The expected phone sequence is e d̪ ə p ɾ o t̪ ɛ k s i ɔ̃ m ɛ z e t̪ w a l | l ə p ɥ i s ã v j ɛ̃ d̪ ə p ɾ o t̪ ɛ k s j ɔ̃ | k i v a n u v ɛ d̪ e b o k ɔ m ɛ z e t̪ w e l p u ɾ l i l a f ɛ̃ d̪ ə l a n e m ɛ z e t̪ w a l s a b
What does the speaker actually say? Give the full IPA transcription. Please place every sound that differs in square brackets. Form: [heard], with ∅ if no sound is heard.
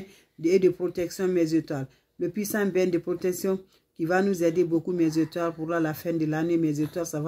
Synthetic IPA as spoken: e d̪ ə p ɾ o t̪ ɛ k s [j] ɔ̃ m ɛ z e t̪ w a l | l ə p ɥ i s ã [b] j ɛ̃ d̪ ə p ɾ o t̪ ɛ k s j ɔ̃ | k i v a n u [z] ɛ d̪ e b o k [u] m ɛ z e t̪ w [a] l p u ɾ l [a] l a f ɛ̃ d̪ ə l a n e m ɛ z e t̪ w a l s a [v]